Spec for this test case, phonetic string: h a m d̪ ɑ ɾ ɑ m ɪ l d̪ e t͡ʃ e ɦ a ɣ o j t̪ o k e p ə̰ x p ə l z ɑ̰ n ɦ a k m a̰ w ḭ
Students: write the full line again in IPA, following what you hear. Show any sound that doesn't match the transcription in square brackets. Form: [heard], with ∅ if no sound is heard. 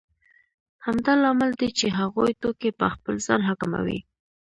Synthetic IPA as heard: h a m d̪ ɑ [l] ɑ m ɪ l d̪ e t͡ʃ e ɦ a ɣ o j t̪ o k e p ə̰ x p ə l z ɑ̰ n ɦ a k m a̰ w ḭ